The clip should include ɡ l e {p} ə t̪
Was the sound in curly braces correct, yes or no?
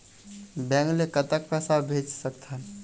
no